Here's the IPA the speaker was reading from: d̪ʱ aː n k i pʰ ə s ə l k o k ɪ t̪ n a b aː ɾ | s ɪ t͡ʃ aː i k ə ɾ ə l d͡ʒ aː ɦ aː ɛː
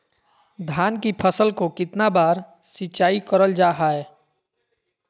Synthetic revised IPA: d̪ʱ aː n k i pʰ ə s ə l k o k ɪ t̪ n a b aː ɾ | s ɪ t͡ʃ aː i k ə ɾ ə l d͡ʒ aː ɦ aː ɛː